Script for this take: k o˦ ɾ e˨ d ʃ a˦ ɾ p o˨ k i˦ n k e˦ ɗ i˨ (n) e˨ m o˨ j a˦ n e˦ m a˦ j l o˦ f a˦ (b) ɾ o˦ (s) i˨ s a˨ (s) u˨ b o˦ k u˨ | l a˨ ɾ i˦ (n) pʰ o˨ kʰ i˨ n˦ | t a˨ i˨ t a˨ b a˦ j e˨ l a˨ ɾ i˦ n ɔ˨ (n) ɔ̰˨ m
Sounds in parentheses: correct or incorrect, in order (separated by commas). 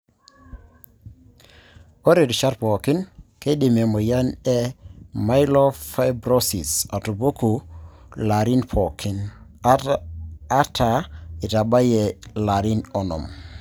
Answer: incorrect, correct, correct, incorrect, correct, correct